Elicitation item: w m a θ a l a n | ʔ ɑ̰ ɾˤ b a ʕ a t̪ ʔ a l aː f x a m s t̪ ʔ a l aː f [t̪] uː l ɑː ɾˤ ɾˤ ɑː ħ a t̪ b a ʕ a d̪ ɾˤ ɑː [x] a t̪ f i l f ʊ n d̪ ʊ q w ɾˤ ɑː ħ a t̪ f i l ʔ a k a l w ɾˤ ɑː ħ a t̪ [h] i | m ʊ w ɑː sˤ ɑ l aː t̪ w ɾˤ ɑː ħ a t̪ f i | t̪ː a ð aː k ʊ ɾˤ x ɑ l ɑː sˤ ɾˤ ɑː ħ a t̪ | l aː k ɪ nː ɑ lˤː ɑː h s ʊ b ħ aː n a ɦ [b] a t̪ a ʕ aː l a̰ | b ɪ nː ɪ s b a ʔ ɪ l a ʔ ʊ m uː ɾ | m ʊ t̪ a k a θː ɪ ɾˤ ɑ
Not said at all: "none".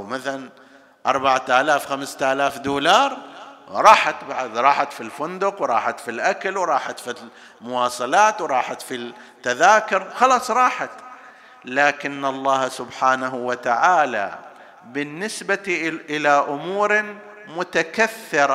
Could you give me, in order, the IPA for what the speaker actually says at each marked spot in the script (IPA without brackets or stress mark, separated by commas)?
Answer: d̪, ħ, f, w